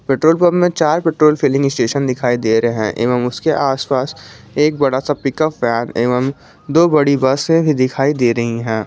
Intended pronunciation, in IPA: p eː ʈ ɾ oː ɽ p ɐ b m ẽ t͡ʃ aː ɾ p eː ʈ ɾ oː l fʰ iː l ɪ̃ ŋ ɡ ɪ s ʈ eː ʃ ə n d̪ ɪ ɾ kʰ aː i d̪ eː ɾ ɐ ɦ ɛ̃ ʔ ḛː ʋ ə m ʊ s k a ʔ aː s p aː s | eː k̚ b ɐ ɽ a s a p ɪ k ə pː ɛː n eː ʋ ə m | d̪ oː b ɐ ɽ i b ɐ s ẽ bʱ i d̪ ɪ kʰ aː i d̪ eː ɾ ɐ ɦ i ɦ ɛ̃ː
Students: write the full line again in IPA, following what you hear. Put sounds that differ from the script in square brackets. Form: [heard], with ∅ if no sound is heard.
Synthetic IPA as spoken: p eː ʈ ɾ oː [l] p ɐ b m ẽ t͡ʃ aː ɾ p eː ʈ ɾ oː l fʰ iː l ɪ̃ ŋ ɡ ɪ s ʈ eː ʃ ə n d̪ ɪ [∅] kʰ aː i d̪ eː ɾ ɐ ɦ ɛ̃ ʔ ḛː ʋ ə m ʊ s k [e] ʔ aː s p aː s | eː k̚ b ɐ ɽ a s a p ɪ k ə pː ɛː n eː ʋ ə m | d̪ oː b ɐ ɽ i b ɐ s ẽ bʱ i d̪ ɪ kʰ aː i d̪ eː ɾ ɐ ɦ i ɦ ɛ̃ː